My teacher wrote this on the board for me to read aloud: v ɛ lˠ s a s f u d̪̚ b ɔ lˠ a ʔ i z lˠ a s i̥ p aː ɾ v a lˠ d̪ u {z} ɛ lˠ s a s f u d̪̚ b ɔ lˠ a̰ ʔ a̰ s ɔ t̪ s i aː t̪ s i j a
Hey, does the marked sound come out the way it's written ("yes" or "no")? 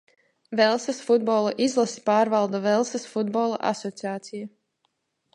no